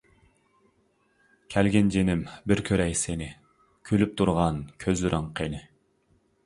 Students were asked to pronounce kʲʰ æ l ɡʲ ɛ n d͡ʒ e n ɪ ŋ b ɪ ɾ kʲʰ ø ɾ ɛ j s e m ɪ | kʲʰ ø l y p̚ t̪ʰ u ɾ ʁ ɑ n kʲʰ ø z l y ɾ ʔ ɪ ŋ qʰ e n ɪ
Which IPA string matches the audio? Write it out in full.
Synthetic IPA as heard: kʲʰ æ l ɡʲ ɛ n d͡ʒ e n ɪ m b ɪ ɾ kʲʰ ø ɾ ɛ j s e n ɪ | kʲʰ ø l y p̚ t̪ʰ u ɾ ʁ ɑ n kʲʰ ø z l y ɾ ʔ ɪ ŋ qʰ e n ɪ

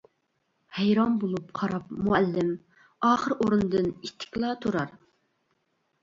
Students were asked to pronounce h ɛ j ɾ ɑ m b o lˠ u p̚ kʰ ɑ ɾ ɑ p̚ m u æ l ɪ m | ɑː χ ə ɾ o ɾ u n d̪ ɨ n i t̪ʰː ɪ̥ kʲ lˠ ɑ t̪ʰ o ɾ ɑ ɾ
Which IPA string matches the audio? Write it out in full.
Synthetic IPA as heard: h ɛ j ɾ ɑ m b o lˠ u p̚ qʰ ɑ ɾ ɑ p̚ m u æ lː ɪ m | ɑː χ ə ɾ o ɾ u n d̪ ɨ n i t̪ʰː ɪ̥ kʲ lˠ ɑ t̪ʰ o ɾ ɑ ɾ

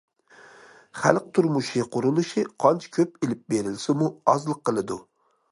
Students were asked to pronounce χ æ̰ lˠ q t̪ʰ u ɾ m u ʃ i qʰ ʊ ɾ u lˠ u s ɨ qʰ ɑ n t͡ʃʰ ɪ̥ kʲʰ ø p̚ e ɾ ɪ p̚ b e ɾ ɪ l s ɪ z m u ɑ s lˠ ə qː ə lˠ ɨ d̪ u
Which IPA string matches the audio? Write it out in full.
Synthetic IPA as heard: χ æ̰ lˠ q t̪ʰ u ɾ m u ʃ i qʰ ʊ ɾ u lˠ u ʃ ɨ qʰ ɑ n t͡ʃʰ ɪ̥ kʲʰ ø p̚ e l ɪ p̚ b e ɾ ɪ l s ɪ m u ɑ z lˠ ə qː ə lˠ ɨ d̪ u

